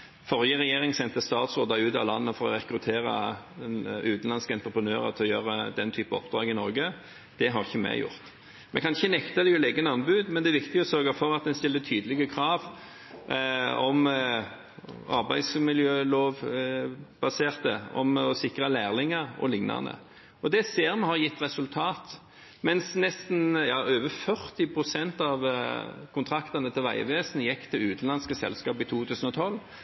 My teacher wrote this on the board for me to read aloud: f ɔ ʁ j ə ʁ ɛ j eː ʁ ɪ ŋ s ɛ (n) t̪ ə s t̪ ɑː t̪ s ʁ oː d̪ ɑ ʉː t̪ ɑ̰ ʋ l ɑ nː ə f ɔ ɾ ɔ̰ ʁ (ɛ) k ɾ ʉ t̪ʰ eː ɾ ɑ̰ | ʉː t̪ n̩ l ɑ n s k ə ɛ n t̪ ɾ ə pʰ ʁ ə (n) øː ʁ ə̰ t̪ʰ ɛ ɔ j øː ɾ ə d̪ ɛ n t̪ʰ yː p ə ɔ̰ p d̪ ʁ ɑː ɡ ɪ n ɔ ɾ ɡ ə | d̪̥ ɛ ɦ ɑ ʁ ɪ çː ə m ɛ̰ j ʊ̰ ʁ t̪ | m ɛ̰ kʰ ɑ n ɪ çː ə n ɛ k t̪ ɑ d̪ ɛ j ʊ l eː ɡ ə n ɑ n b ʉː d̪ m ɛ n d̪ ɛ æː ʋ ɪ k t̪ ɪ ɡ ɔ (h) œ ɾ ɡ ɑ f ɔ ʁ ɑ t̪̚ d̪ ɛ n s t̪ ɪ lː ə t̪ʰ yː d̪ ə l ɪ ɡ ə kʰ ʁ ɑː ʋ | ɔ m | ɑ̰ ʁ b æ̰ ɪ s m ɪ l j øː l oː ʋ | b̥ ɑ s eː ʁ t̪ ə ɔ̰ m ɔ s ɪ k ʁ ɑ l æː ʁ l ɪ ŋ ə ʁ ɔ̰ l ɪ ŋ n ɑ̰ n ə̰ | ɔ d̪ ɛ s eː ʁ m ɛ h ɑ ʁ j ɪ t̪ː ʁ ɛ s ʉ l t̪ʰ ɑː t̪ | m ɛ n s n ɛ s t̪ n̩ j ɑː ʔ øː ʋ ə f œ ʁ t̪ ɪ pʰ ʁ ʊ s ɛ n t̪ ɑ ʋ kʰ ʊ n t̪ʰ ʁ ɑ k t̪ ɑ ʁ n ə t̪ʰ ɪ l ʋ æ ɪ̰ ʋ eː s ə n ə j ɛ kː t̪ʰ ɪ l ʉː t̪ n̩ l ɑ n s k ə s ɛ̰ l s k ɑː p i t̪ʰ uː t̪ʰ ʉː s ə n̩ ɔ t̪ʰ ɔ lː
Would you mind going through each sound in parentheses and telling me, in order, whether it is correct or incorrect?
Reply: correct, correct, correct, incorrect: s

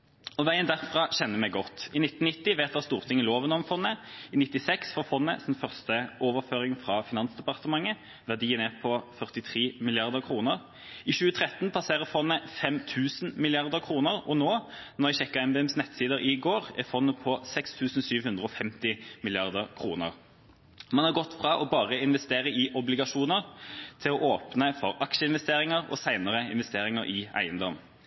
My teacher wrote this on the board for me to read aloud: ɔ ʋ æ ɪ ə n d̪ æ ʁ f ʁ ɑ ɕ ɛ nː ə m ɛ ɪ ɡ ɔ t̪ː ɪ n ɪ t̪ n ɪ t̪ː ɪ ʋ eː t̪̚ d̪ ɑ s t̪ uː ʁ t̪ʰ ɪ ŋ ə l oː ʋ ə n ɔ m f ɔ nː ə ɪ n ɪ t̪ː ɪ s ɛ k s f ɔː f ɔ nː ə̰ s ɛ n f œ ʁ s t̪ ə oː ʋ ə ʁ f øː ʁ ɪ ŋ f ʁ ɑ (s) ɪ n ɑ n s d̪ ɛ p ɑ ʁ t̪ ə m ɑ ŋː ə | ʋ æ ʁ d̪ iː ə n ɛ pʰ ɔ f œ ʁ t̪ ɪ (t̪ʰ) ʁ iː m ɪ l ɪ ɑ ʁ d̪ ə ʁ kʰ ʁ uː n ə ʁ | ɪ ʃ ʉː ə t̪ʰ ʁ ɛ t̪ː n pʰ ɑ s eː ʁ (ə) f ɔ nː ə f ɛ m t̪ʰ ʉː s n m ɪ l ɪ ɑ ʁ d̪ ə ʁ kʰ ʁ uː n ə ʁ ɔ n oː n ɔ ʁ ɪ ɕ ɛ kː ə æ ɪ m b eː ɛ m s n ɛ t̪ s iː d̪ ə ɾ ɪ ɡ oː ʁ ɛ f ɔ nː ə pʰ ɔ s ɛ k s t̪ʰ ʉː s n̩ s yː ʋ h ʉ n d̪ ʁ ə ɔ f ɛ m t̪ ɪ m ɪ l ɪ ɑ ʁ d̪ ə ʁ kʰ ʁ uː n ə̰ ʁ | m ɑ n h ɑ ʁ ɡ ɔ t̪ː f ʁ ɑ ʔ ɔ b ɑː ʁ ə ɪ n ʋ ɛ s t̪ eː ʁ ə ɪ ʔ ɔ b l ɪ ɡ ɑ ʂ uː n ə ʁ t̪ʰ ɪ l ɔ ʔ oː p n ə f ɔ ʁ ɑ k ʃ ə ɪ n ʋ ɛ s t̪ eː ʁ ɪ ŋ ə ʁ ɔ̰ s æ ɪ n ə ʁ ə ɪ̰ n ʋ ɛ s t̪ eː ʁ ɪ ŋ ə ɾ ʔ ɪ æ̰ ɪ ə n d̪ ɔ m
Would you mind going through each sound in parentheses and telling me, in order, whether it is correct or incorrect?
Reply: incorrect: f, correct, correct

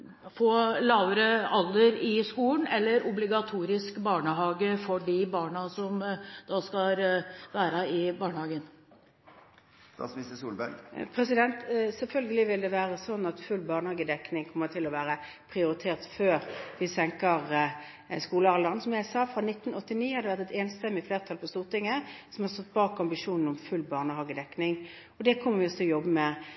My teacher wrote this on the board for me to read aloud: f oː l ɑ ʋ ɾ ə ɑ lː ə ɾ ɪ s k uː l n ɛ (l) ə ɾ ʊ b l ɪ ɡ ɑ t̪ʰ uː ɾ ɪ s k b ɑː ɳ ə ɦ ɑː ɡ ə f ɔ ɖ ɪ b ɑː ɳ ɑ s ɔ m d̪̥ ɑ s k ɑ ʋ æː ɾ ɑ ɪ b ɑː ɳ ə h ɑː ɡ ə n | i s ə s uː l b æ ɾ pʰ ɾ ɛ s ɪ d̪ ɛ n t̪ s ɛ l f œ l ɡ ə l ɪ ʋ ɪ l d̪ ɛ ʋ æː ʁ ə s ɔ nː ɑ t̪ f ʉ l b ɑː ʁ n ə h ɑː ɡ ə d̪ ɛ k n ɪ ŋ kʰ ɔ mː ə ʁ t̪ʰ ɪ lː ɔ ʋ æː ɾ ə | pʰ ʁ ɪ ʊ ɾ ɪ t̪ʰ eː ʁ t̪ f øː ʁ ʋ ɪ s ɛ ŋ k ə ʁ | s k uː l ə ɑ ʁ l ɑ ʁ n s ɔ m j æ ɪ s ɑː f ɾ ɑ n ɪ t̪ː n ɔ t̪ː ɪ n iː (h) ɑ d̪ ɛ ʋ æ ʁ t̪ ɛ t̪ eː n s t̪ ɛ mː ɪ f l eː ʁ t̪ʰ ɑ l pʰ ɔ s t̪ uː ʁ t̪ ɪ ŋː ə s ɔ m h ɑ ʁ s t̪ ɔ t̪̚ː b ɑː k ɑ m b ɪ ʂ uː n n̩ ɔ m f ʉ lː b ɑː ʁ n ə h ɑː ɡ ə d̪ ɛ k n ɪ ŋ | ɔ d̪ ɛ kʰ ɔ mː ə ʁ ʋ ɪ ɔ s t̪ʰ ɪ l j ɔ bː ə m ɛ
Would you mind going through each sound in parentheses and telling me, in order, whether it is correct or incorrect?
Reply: incorrect: lː, correct

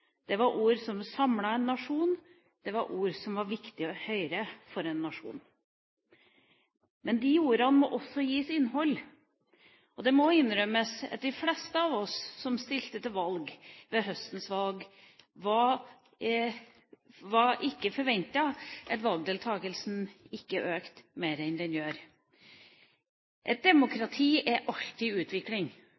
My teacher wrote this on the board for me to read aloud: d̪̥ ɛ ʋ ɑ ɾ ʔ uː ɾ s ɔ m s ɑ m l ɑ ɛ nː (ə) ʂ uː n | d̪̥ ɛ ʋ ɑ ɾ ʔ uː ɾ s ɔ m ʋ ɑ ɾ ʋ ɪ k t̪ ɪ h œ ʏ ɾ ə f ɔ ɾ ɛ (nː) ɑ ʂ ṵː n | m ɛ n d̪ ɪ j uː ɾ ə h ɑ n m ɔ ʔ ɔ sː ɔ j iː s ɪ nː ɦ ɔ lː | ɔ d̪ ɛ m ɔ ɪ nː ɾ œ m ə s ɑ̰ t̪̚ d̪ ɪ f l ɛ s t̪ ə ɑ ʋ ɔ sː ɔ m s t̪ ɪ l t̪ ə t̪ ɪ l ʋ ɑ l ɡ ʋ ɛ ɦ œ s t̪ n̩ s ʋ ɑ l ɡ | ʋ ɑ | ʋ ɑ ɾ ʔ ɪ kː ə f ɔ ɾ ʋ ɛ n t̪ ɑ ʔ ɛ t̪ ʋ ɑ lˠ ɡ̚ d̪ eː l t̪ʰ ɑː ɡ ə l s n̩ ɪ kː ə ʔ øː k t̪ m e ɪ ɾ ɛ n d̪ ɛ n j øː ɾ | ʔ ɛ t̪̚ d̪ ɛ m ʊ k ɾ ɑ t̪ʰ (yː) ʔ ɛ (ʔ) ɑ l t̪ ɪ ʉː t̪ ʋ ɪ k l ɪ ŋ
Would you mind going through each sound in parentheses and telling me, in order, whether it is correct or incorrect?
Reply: incorrect: ɑ, correct, incorrect: iː, correct

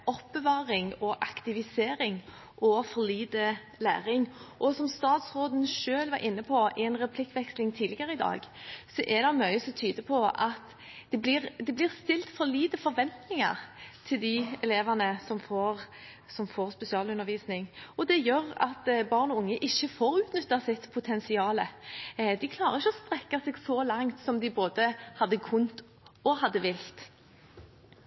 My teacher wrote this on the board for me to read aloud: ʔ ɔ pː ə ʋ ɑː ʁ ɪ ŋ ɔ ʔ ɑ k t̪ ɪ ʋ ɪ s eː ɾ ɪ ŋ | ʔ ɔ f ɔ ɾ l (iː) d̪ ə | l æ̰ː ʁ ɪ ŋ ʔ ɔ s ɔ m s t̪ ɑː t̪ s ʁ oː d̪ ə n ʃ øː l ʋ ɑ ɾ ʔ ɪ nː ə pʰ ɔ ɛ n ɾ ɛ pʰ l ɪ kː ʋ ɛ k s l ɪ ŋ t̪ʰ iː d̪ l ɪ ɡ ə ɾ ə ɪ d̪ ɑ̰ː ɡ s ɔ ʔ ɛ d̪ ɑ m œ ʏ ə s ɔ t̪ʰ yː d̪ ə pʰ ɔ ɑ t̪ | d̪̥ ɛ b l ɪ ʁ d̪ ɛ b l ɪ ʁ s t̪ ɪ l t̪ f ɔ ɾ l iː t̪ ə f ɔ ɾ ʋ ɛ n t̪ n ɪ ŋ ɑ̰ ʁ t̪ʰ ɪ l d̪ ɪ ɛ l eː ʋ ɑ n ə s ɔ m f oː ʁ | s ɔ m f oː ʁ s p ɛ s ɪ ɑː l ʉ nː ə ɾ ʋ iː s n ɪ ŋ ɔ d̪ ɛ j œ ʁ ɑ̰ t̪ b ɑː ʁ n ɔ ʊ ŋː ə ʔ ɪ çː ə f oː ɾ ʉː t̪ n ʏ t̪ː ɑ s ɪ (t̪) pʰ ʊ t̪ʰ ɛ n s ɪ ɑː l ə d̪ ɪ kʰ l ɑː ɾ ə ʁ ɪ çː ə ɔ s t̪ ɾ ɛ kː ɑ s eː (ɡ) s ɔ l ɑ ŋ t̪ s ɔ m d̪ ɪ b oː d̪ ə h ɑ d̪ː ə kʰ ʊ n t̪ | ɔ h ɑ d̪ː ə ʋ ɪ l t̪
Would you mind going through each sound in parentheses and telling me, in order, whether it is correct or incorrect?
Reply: correct, correct, correct

